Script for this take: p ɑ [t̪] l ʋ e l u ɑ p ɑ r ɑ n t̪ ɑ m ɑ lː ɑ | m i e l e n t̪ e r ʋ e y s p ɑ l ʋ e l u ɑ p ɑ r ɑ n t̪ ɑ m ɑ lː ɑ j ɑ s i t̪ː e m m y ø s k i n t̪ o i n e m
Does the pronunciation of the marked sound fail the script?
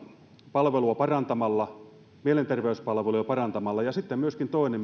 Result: yes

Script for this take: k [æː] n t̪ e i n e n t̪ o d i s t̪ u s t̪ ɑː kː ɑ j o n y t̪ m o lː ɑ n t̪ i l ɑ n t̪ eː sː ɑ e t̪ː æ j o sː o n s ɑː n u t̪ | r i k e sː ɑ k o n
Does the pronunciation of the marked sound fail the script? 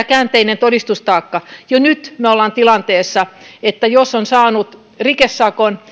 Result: no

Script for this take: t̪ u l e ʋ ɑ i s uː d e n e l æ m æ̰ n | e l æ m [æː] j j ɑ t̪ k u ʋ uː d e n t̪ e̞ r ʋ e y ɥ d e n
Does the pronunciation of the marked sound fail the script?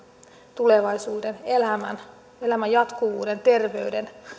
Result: yes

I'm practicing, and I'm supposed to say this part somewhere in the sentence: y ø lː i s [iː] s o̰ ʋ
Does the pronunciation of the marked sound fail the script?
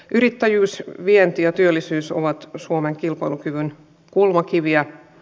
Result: yes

